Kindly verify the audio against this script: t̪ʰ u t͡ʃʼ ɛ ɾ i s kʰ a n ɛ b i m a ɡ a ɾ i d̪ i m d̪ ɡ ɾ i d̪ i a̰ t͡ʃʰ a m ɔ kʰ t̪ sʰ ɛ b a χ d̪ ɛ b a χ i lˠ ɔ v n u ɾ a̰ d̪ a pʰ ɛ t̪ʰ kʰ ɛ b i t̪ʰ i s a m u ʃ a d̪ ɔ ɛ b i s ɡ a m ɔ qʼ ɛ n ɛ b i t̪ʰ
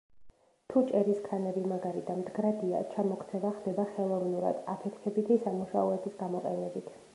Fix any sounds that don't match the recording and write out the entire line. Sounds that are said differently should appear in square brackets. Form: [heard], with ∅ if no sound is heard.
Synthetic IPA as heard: t̪ʰ u t͡ʃʼ ɛ ɾ i s kʰ a n ɛ b i m a ɡ a ɾ i d̪ [a] m d̪ ɡ ɾ [a] d̪ i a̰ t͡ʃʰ a m ɔ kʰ t̪ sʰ ɛ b a χ d̪ ɛ b a χ [ɛ] lˠ ɔ v n u ɾ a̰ d̪ a pʰ ɛ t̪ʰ kʰ ɛ b i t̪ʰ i s a m u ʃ a [∅] ɔ ɛ b i s ɡ a m ɔ qʼ ɛ n ɛ b i t̪ʰ